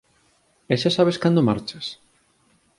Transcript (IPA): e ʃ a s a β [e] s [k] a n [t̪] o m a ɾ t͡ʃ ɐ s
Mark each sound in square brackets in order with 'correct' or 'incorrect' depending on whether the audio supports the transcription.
correct, correct, incorrect

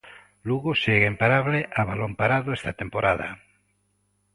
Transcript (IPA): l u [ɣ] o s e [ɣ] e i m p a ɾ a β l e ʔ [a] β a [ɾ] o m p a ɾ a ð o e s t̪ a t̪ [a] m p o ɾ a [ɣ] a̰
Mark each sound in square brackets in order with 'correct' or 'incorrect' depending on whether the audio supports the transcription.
correct, correct, correct, incorrect, incorrect, incorrect

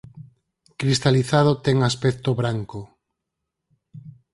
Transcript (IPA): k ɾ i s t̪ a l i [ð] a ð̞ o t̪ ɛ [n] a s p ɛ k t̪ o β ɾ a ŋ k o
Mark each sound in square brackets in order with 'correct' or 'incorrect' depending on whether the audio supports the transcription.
incorrect, incorrect

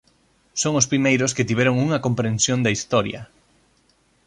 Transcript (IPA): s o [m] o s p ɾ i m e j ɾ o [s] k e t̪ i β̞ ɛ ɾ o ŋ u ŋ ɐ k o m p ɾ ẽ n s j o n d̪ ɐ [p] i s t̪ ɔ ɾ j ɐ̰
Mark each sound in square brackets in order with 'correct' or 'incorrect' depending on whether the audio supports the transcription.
incorrect, correct, incorrect

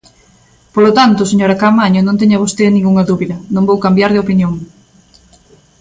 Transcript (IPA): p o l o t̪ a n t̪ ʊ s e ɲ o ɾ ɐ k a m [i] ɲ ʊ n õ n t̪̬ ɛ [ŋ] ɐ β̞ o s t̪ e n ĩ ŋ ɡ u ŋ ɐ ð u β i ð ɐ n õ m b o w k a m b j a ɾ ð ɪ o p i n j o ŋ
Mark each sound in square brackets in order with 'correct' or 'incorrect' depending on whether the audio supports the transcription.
incorrect, incorrect

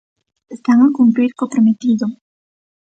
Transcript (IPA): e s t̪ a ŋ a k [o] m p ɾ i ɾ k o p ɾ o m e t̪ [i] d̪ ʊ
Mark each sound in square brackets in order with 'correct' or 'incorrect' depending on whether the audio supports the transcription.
incorrect, correct

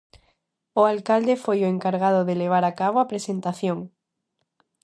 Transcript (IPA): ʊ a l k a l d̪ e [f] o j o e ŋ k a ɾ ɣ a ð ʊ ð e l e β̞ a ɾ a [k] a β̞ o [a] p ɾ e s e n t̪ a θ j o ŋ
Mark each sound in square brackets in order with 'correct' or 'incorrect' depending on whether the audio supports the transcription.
correct, correct, correct

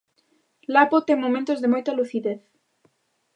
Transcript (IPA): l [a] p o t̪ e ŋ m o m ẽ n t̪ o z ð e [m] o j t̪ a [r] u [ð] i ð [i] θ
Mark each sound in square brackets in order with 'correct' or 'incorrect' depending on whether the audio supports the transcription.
correct, correct, incorrect, incorrect, incorrect

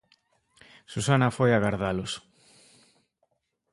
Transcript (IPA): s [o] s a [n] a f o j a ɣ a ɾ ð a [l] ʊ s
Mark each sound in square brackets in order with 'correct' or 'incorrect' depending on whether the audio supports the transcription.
incorrect, correct, correct

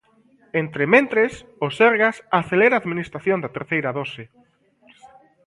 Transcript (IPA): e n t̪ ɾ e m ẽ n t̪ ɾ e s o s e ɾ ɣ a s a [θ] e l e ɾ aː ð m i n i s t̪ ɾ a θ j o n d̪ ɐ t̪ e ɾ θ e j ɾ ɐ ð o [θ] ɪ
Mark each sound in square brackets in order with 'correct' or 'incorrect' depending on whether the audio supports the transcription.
correct, incorrect

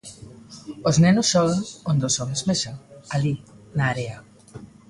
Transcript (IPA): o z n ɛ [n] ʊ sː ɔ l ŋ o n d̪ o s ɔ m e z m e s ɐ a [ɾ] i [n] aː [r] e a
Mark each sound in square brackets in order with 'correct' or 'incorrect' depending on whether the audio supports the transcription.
correct, incorrect, correct, incorrect

